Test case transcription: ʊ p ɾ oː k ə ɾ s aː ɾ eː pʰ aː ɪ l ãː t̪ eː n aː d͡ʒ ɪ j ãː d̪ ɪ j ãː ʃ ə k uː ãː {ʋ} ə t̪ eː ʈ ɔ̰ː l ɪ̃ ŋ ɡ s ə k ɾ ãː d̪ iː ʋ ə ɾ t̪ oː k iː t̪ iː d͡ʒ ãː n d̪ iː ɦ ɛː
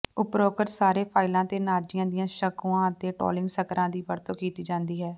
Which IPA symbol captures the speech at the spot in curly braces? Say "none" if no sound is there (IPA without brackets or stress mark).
none